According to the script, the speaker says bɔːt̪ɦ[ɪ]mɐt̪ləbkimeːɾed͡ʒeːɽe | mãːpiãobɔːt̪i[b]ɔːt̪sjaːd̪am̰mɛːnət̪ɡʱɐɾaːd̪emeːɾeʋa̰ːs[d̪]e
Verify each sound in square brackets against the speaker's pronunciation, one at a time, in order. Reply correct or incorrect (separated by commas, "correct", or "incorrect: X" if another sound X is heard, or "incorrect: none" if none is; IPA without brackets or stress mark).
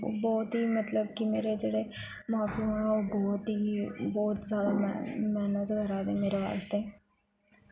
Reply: incorrect: i, correct, incorrect: t̪